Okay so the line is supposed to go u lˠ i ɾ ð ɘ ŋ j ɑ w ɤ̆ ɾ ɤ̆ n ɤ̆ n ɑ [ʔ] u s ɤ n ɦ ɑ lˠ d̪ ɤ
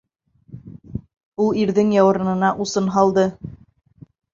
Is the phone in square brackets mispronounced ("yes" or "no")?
no